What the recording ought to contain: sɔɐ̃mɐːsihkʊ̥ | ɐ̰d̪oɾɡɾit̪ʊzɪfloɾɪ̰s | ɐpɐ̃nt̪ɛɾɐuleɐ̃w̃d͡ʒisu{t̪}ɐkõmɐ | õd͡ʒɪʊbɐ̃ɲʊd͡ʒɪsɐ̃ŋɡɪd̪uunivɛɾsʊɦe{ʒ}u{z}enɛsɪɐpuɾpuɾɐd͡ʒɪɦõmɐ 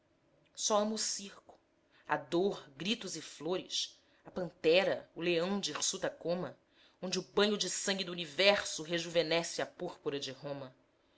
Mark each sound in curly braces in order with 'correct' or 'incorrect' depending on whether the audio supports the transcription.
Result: correct, correct, incorrect: v

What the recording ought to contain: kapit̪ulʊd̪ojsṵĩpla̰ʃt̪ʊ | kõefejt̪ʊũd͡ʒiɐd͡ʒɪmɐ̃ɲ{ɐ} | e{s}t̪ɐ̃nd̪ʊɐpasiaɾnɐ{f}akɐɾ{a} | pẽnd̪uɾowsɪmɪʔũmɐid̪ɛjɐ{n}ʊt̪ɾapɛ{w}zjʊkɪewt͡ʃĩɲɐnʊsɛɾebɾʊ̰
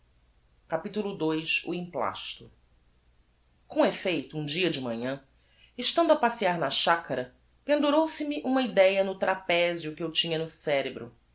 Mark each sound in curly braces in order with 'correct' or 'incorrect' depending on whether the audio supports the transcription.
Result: incorrect: ɐ̃, incorrect: ʃ, incorrect: ʃ, incorrect: ɐ, correct, incorrect: none

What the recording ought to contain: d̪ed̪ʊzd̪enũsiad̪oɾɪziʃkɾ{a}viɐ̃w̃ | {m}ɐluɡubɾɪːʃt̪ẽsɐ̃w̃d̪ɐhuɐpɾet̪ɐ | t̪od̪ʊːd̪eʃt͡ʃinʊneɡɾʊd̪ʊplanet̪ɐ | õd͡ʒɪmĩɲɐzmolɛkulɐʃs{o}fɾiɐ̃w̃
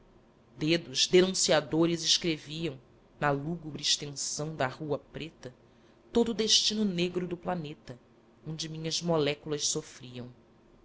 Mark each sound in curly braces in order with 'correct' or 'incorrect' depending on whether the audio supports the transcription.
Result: incorrect: e, incorrect: n, correct

